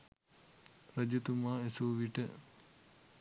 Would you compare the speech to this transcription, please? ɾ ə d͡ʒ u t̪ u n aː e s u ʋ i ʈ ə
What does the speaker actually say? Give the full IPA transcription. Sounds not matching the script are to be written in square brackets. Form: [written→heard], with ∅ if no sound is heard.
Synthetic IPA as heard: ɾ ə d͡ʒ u t̪ u [n→m] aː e s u ʋ i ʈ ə